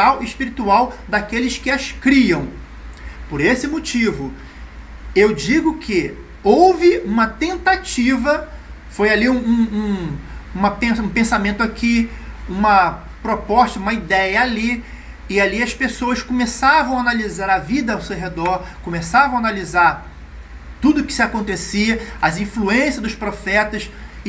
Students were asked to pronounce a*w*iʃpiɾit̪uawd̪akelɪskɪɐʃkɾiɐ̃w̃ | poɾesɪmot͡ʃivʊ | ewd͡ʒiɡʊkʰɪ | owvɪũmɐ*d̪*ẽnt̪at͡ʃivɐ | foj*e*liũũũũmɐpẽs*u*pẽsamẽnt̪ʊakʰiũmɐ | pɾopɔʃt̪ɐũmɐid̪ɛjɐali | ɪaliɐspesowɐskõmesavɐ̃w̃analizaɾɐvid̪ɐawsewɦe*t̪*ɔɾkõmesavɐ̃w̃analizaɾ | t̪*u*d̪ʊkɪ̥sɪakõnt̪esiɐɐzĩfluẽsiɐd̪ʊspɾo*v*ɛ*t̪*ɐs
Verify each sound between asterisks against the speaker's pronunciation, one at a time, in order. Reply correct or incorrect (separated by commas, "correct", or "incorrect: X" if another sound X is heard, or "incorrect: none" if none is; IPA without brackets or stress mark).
correct, incorrect: t̪, incorrect: a, incorrect: ũ, incorrect: d̪, correct, incorrect: f, correct